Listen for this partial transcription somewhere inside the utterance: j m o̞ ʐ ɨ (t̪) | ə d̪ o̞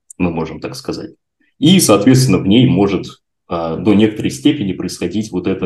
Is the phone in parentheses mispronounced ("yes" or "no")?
no